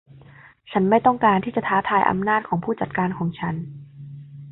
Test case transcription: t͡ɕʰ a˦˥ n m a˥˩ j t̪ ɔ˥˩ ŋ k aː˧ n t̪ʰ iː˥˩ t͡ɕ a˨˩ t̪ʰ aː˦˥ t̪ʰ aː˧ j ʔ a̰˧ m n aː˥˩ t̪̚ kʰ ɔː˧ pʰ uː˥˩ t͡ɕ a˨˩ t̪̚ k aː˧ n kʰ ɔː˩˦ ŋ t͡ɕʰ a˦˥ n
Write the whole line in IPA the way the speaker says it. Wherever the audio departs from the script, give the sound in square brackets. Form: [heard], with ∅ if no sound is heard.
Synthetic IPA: t͡ɕʰ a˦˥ n m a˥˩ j t̪ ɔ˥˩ ŋ k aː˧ n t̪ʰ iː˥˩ t͡ɕ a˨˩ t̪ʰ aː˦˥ t̪ʰ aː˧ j ʔ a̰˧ m n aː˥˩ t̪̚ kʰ [ɔː˩˦] pʰ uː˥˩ t͡ɕ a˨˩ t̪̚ k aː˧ n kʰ ɔː˩˦ ŋ t͡ɕʰ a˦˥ n